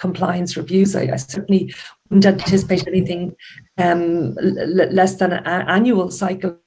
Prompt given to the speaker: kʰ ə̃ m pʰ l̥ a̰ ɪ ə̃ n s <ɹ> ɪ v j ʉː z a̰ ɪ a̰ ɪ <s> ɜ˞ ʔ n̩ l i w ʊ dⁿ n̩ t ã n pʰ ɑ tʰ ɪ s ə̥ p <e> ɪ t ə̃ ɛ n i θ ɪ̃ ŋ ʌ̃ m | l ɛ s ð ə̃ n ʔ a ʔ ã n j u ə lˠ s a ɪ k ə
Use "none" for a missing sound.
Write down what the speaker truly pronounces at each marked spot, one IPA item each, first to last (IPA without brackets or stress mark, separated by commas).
ɹ, s, e